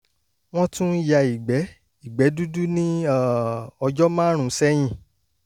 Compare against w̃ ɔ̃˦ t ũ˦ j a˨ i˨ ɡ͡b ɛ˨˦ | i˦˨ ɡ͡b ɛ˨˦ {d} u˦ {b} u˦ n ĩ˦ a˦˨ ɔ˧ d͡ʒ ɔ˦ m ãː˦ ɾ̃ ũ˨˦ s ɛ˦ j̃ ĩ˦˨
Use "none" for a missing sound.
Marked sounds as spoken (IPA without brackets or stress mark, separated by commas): d, d